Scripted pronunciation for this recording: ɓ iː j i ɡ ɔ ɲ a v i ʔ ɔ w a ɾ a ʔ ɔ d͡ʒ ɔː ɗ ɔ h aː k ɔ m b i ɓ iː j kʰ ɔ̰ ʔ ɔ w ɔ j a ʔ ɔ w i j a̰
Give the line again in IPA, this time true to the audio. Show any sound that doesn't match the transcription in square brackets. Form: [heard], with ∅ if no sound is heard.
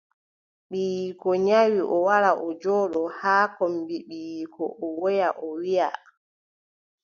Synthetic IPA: ɓ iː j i [k] ɔ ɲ a [w] i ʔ ɔ w a ɾ a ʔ ɔ d͡ʒ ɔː ɗ ɔ h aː k ɔ m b i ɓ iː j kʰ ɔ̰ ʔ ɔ w ɔ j a ʔ ɔ w i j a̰